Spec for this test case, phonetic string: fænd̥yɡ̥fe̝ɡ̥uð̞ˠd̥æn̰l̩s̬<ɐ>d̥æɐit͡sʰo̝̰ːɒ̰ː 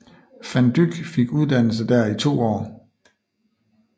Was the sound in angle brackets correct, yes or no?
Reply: no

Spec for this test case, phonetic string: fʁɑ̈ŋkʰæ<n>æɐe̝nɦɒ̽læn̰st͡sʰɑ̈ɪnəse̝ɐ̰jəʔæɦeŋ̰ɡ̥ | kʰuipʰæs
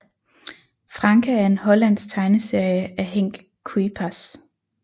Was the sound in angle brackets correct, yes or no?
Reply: no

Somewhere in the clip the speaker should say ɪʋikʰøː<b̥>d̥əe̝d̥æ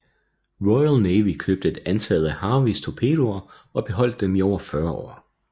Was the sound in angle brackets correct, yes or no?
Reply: yes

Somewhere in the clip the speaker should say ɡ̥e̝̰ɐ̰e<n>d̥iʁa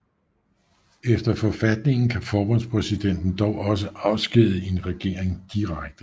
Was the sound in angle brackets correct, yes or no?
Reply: no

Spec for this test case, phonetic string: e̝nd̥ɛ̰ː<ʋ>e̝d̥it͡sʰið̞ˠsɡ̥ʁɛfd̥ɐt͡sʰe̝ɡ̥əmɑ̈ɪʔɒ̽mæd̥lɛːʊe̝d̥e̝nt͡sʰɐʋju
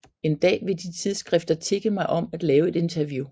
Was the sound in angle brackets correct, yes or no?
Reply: yes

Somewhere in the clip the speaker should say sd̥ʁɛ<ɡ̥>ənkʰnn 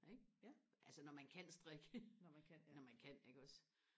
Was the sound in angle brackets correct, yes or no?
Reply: yes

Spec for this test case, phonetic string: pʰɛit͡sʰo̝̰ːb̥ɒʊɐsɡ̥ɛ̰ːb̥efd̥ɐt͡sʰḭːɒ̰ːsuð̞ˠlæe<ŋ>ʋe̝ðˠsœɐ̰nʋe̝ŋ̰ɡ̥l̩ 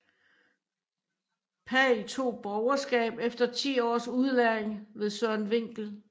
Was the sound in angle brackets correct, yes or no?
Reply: yes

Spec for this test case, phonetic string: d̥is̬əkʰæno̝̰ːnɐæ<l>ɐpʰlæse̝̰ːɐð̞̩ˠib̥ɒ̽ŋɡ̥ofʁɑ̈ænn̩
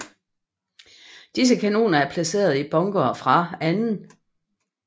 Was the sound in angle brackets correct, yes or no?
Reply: no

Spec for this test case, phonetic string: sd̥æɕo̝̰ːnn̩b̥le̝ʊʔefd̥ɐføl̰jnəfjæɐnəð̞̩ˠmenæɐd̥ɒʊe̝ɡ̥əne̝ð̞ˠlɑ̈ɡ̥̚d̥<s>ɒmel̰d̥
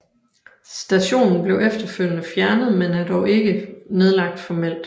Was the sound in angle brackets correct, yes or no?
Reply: no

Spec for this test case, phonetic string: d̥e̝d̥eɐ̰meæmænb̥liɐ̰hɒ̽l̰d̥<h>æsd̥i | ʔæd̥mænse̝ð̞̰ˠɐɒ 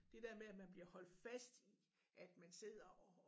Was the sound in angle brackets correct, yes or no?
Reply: no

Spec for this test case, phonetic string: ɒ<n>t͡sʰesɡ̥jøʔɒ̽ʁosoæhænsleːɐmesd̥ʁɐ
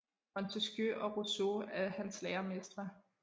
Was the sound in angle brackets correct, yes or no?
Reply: yes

